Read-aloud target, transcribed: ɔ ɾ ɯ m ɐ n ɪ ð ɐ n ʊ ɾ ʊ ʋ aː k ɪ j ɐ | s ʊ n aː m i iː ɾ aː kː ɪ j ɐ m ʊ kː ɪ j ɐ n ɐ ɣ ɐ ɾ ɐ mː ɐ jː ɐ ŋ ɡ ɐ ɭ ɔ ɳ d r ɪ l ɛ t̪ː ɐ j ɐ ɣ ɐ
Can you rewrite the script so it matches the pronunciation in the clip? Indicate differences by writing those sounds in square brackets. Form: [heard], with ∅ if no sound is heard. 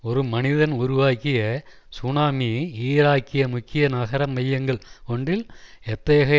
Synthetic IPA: ɔ ɾ ɯ m ɐ n ɪ ð ɐ n ʊ ɾ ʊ ʋ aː k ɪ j ɐ | s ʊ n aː m i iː ɾ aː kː ɪ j ɐ m ʊ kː ɪ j ɐ n ɐ ɣ ɐ ɾ ɐ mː ɐ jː ɐ ŋ ɡ ɐ ɭ ɔ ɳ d r ɪ l ɛ t̪ː ɐ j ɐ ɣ ɐ